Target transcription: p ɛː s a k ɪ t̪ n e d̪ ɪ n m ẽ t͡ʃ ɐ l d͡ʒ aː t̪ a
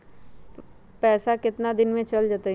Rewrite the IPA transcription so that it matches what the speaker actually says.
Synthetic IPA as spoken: p ɛː s a k ɪ t̪ n a d̪ ɪ n m ẽ t͡ʃ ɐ l d͡ʒ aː t̪ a